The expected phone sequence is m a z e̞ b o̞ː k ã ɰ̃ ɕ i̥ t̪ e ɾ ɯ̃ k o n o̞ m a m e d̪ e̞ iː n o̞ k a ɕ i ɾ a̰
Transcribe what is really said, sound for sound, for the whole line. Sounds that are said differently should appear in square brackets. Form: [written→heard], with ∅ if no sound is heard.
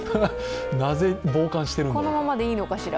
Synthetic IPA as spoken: [m→n] a z e̞ b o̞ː k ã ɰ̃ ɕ i̥ t̪ e ɾ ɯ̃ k o n o̞ m a m [e→a] d̪ e̞ iː n o̞ k a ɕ i ɾ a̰